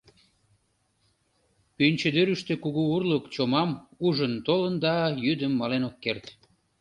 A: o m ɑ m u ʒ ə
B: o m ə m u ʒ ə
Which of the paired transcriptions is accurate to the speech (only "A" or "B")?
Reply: A